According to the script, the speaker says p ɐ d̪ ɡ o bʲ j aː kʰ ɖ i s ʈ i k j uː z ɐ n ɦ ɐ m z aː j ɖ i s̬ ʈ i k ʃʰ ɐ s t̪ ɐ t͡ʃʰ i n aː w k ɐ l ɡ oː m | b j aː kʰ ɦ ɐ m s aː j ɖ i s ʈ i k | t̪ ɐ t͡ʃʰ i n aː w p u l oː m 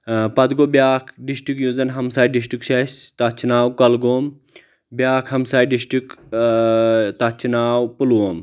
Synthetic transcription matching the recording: p ɐ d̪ ɡ o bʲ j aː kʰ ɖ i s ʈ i k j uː z ɐ n ɦ ɐ m s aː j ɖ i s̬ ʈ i k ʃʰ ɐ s t̪ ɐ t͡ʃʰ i n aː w k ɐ l ɡ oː m | b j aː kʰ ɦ ɐ m s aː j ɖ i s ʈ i k | t̪ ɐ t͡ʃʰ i n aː w p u l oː m